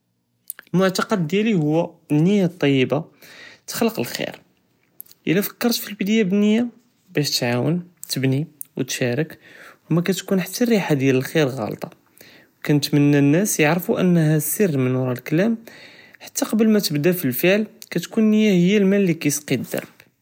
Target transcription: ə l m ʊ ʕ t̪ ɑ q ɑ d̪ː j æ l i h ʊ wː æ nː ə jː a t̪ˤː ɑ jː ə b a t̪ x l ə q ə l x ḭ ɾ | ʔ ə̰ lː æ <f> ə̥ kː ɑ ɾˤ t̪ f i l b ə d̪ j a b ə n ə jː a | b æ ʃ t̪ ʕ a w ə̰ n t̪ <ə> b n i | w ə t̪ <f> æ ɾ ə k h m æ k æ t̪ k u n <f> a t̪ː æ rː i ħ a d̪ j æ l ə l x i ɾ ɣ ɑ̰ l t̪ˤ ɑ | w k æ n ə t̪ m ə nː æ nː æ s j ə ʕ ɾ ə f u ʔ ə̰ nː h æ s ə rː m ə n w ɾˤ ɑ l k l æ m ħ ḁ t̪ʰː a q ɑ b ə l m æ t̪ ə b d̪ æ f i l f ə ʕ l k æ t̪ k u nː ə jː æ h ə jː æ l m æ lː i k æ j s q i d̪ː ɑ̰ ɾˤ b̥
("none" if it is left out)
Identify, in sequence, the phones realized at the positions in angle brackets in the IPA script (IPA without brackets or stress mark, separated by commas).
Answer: f, ə, ʃ, ħ